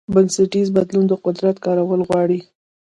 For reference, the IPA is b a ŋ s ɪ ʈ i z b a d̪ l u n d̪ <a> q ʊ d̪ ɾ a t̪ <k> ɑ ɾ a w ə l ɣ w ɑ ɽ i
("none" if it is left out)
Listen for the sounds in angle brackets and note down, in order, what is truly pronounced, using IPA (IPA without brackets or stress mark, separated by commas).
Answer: ə, k